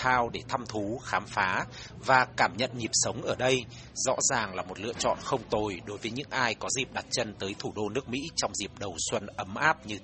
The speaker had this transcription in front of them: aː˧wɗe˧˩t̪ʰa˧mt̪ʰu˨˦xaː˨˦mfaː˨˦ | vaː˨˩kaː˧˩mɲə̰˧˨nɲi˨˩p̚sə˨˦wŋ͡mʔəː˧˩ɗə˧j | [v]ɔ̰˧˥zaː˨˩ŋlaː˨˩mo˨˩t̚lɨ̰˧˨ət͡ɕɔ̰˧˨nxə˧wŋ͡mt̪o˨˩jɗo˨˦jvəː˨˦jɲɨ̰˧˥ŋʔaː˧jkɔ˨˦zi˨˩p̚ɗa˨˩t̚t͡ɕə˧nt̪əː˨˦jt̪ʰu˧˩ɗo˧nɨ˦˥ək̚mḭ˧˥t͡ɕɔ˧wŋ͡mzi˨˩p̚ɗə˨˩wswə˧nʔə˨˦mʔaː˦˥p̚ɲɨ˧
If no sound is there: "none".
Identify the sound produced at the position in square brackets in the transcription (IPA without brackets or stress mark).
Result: z